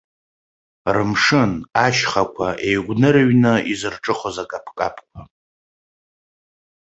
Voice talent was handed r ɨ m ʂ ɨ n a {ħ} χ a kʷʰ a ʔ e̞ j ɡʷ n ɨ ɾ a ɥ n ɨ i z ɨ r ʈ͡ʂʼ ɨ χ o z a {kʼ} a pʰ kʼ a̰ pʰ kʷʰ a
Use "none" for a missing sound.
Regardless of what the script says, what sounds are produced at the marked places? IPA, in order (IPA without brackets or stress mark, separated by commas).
ʃ, kʼ